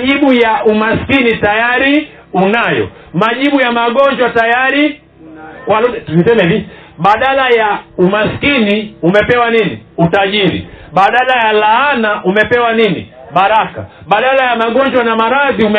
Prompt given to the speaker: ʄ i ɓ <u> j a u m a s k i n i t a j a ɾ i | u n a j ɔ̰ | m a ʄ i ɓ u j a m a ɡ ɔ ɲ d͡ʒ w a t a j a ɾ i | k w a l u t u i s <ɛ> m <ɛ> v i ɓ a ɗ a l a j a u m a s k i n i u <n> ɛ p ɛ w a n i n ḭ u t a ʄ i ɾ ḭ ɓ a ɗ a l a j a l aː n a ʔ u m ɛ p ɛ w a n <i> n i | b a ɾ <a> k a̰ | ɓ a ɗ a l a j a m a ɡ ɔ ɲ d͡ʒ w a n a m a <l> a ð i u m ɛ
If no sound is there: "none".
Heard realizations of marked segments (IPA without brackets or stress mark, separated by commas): u, ɛ, ɛ, m, i, a, ɾ